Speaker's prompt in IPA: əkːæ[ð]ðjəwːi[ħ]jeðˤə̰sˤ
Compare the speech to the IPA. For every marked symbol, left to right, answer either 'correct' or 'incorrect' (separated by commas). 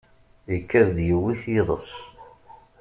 correct, incorrect